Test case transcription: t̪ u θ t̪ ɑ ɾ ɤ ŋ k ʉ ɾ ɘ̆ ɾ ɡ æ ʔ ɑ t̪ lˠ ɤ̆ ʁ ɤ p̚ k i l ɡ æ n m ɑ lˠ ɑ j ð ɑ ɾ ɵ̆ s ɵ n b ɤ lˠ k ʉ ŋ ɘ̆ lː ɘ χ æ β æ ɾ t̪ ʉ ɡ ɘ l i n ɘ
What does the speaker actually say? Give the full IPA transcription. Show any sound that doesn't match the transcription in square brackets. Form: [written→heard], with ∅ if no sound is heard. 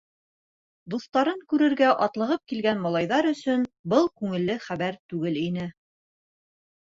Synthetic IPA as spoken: [t̪→d̪] u θ t̪ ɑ ɾ ɤ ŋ k ʉ ɾ ɘ̆ ɾ ɡ æ ʔ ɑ t̪ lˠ ɤ̆ ʁ ɤ p̚ k i l ɡ æ n m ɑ lˠ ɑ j ð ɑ ɾ ɵ̆ s ɵ n b ɤ lˠ k ʉ ŋ ɘ̆ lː ɘ χ æ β æ ɾ t̪ ʉ ɡ ɘ l i n ɘ

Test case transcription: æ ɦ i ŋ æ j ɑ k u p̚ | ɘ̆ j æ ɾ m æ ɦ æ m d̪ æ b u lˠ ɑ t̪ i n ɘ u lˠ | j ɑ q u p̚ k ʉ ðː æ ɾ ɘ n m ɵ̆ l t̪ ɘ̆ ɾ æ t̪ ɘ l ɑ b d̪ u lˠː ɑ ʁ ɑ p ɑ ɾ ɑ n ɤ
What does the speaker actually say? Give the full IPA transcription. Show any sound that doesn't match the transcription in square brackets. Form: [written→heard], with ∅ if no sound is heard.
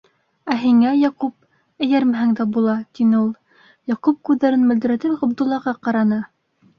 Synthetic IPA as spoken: æ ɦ i ŋ æ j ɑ [k→q] u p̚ | ɘ̆ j æ ɾ m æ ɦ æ [m→ŋ] d̪ æ b u lˠ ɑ t̪ i n ɘ u lˠ | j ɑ q u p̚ k ʉ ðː æ ɾ ɘ n m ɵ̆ l [t̪→d̪] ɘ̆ ɾ æ t̪ ɘ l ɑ b d̪ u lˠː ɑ ʁ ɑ [p→q] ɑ ɾ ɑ n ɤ

